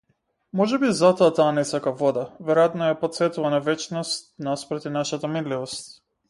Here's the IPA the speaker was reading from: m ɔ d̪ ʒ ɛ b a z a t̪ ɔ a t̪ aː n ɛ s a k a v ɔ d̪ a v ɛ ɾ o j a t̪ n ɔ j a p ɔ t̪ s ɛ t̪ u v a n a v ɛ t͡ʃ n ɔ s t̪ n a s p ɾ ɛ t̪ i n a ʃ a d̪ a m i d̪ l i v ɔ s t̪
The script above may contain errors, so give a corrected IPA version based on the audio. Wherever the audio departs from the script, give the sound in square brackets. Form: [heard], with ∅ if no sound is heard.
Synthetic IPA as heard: m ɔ [∅] ʒ ɛ b [i] z a t̪ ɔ a t̪ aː n ɛ s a k a v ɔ d̪ a v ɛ ɾ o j a t̪ n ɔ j a p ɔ t̪ s ɛ t̪ u v a n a v ɛ t͡ʃ n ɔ s t̪ n a s p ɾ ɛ t̪ i n a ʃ a [t̪] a m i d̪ l i v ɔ s t̪